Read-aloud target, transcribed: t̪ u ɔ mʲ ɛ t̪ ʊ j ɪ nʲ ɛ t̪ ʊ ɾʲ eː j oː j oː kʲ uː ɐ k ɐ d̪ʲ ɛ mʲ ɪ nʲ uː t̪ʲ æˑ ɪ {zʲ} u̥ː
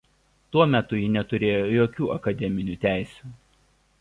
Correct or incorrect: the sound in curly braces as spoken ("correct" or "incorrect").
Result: incorrect